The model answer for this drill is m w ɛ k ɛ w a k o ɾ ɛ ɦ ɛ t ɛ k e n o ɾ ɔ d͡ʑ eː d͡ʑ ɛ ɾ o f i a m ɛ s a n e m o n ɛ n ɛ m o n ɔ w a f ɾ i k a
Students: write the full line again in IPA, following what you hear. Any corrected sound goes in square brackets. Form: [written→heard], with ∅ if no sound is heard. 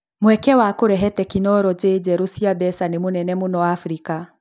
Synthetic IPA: m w ɛ k ɛ w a k o ɾ ɛ ɦ ɛ t ɛ k [e→i] n [o→ɔ] ɾ ɔ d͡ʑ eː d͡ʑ ɛ ɾ o [f→s] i a [m→b] ɛ s a n e m o n ɛ n ɛ m o n ɔ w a f ɾ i k a